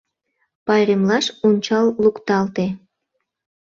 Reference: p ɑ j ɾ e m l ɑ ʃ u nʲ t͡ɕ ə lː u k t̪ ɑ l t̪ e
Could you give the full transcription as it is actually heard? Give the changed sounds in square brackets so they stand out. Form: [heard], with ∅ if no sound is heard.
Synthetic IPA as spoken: p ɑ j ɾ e m l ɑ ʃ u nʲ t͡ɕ [ɑ] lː u k t̪ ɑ l t̪ e